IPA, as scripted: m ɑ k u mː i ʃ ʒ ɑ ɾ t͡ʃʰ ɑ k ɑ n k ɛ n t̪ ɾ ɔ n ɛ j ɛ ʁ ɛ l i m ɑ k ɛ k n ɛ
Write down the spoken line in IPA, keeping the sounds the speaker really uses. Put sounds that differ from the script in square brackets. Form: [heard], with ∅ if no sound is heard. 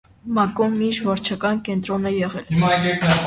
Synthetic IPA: m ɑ k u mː i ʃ [v] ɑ ɾ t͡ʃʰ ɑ k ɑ n k ɛ n t̪ ɾ ɔ n ɛ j ɛ ʁ ɛ l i m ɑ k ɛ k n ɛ

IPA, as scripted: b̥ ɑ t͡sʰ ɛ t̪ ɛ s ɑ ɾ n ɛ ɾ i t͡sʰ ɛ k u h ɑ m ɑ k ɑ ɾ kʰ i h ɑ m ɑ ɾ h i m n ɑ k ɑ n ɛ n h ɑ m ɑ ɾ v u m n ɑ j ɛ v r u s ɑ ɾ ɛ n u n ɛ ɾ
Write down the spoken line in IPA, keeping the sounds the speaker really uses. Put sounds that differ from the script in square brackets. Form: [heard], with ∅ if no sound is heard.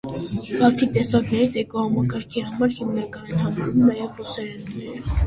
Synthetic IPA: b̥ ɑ t͡sʰ [i] t̪ ɛ s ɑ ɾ n ɛ ɾ i t͡sʰ ɛ k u h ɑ m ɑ k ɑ ɾ kʰ i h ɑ m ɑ ɾ h i m n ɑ k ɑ n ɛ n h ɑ m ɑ ɾ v u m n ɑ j ɛ v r u s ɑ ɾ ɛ n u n ɛ ɾ

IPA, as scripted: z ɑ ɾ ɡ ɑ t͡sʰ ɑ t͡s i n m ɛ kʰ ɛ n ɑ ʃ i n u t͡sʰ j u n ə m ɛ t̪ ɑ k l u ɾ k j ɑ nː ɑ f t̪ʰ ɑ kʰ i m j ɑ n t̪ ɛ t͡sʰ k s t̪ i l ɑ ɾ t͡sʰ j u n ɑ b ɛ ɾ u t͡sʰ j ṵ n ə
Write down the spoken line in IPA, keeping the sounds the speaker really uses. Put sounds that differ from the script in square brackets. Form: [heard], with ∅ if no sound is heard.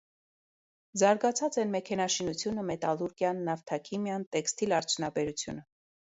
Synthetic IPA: z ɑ ɾ ɡ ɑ t͡sʰ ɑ t͡s [ɛ] n m ɛ kʰ ɛ n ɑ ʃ i n u t͡sʰ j u n ə m ɛ t̪ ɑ [∅] l u ɾ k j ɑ nː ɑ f t̪ʰ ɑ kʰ i m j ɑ n t̪ ɛ [∅] k s t̪ i l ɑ ɾ t͡sʰ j u n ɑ b ɛ ɾ u t͡sʰ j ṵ n ə

